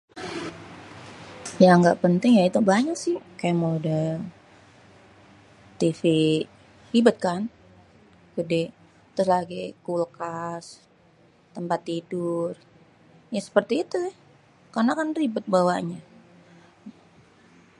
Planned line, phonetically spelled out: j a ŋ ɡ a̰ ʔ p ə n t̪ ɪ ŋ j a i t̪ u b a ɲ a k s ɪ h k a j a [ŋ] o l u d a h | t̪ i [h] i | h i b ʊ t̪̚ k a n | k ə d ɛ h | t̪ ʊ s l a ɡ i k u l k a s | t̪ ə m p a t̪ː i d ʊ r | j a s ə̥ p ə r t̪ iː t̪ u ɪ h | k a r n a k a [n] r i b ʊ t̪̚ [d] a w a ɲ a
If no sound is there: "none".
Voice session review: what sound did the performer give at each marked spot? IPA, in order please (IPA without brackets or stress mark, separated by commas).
m, f, n, b